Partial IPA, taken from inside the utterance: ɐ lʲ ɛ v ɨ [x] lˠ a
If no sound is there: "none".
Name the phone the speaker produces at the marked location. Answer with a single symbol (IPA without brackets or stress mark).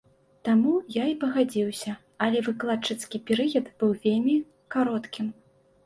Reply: k